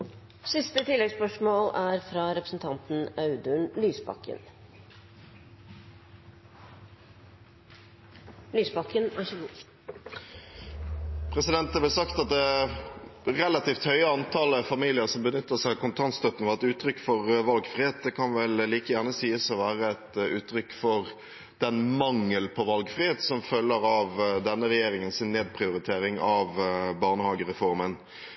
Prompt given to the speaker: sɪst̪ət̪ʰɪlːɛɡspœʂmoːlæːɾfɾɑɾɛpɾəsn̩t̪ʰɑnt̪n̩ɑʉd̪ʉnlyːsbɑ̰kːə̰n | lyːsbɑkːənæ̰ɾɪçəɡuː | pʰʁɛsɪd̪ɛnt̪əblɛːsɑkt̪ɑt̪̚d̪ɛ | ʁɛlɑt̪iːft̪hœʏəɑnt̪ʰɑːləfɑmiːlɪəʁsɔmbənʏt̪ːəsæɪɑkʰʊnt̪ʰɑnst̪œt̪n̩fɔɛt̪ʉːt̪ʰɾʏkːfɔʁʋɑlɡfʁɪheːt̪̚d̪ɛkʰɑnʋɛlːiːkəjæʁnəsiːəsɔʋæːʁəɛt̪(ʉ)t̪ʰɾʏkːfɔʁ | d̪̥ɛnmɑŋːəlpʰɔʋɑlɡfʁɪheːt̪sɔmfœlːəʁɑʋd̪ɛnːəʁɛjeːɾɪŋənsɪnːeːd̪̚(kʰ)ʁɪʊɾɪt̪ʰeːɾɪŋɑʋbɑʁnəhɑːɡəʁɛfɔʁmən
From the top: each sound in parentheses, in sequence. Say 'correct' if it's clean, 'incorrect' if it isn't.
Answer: incorrect: ʉː, incorrect: pʰ

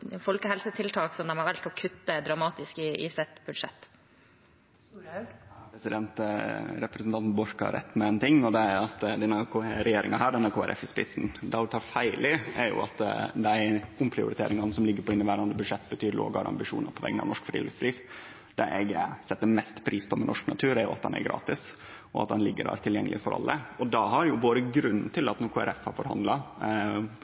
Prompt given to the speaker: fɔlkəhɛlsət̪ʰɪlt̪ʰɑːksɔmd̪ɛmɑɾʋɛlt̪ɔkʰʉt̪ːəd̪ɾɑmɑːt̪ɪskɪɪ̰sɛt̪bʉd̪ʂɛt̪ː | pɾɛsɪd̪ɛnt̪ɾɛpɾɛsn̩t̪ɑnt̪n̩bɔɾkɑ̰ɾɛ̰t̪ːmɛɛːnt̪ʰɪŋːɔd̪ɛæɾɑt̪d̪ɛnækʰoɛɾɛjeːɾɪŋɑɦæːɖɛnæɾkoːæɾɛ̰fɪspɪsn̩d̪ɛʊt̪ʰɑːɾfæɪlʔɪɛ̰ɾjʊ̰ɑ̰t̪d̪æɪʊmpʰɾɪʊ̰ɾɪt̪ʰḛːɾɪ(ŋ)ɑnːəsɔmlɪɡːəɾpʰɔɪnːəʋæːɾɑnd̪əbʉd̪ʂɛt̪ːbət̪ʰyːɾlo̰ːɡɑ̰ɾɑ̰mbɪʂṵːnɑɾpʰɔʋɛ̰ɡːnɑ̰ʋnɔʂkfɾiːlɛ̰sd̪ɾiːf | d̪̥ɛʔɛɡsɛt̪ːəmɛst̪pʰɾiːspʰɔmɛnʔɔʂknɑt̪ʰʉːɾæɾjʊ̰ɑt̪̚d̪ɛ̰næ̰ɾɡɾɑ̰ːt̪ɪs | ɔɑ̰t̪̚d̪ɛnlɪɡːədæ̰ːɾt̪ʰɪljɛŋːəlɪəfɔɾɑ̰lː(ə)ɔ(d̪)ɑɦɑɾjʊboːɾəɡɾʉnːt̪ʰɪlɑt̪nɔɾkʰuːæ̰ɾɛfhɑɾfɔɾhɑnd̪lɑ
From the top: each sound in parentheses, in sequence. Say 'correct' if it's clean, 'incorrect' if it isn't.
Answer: correct, correct, correct

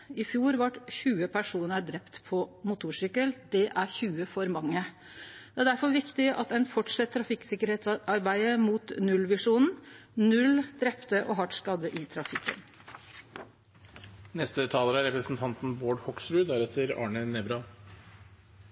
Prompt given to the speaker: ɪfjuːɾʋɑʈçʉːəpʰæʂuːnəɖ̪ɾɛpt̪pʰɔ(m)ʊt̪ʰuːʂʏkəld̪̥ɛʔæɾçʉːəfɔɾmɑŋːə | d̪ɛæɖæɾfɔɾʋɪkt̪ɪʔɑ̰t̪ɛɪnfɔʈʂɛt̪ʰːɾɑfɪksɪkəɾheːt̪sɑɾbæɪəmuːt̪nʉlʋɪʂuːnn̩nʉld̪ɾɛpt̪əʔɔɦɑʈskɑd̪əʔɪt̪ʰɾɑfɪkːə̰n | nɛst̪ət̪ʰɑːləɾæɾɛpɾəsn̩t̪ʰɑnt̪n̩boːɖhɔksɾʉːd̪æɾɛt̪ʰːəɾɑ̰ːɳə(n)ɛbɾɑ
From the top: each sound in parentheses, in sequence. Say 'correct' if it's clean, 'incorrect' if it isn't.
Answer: correct, correct

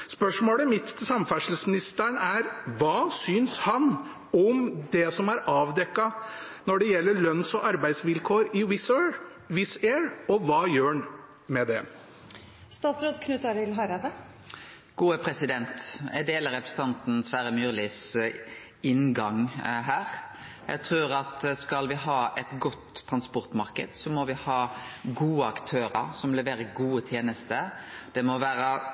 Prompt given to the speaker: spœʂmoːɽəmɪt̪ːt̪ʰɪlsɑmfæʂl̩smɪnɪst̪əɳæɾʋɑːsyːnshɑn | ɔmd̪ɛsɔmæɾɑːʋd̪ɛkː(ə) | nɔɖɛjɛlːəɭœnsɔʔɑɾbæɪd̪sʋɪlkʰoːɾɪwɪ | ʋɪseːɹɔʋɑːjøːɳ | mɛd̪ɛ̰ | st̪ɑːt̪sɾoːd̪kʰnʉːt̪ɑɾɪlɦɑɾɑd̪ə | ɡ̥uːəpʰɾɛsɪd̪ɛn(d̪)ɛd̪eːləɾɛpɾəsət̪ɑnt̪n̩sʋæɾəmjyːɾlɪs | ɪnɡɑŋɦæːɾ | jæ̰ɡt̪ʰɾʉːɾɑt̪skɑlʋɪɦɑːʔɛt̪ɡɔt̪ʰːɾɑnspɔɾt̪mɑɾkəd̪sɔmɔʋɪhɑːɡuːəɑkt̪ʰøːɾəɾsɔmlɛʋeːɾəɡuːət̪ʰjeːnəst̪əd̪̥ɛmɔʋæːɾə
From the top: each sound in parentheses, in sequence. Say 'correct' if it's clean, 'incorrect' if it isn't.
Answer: incorrect: ɑ, incorrect: t̪

